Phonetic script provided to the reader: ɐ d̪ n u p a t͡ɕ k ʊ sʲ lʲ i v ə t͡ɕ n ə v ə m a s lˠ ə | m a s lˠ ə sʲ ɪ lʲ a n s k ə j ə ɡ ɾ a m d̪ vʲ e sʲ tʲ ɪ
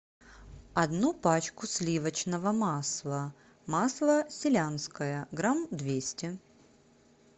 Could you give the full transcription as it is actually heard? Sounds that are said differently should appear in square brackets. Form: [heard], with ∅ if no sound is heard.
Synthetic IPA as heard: ɐ d̪ n u p a t͡ɕ k ʊ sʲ lʲ i v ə t͡ɕ n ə v ə m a s lˠ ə | m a s lˠ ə sʲ ɪ lʲ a n s k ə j ə ɡ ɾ a m d̪ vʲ e sʲ tʲ ɪ